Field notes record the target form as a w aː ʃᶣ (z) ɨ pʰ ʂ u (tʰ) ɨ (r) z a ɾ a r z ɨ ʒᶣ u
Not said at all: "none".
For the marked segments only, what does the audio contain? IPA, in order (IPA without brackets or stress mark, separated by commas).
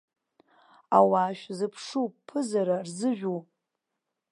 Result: z, pʰ, none